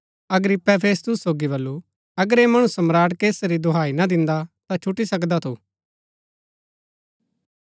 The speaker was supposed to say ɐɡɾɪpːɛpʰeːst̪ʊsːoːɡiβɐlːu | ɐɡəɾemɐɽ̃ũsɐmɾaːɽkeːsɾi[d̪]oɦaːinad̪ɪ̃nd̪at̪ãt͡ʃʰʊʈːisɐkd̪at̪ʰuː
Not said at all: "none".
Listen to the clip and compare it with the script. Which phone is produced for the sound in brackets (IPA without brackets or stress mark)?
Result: d̪